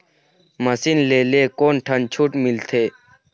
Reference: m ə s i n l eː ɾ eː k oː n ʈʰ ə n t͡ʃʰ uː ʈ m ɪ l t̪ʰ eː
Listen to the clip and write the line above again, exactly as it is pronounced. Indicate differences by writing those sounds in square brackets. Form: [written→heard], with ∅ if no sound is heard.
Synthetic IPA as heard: m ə s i n l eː [ɾ→l] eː k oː n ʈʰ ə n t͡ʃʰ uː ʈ m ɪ l t̪ʰ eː